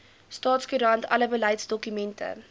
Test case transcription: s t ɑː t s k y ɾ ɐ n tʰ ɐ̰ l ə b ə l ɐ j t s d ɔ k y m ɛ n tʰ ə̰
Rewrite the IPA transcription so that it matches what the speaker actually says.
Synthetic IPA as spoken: s t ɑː t s k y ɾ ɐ n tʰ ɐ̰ l ə b ə l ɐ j t s d ɔ k y m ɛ n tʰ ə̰